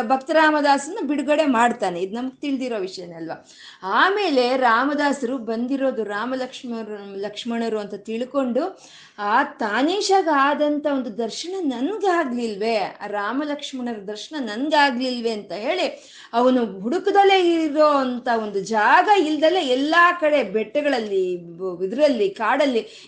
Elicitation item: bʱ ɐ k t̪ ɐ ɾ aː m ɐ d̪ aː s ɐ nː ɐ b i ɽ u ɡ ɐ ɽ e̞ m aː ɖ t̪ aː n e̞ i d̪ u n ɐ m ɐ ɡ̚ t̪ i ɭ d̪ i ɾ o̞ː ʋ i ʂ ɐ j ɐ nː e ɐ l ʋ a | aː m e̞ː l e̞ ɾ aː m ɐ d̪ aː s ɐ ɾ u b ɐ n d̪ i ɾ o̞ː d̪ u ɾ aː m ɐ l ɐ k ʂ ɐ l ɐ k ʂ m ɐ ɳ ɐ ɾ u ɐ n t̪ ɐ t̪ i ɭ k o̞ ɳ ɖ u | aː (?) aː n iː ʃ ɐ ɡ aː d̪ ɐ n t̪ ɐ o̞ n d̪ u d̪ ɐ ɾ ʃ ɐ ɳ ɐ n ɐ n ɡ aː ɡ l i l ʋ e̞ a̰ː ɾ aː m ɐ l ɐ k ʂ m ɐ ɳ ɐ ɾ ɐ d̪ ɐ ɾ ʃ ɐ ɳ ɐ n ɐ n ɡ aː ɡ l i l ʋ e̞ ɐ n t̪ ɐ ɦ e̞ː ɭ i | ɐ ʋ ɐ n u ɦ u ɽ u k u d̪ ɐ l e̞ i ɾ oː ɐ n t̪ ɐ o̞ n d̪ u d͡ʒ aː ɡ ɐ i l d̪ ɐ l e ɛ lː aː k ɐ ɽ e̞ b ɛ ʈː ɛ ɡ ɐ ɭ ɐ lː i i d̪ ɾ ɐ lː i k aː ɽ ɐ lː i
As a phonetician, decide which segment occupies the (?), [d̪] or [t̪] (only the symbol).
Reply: t̪